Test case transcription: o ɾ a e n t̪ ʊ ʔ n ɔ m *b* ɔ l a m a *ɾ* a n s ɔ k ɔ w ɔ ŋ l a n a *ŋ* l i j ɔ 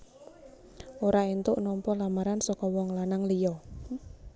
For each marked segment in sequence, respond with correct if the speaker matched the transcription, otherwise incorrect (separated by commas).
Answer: incorrect, correct, correct